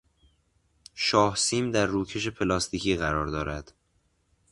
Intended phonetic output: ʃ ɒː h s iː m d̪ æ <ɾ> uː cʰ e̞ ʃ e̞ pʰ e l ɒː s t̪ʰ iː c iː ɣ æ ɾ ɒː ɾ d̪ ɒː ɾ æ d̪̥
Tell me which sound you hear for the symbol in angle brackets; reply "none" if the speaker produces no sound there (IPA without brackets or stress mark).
ɾː